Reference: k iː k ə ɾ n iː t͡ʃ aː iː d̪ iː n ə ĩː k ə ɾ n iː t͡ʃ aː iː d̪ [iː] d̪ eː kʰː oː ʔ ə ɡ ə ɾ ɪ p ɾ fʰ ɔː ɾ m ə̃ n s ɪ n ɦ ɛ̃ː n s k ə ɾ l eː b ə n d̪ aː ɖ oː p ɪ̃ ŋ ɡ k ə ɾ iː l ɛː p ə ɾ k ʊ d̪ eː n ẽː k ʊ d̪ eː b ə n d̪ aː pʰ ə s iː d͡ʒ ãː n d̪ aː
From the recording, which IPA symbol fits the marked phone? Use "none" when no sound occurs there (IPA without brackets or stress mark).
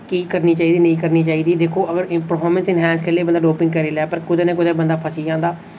iː